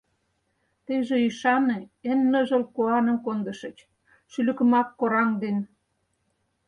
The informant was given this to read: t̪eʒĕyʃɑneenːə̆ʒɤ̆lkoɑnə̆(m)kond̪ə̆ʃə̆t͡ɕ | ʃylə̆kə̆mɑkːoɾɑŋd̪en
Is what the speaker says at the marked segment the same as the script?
yes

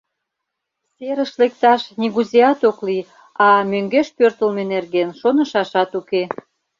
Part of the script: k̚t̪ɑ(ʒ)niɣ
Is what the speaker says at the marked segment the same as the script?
no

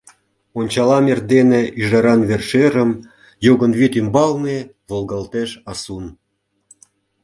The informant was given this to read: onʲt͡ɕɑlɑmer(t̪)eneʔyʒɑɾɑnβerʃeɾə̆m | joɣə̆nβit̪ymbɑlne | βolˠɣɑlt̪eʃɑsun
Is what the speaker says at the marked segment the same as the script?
no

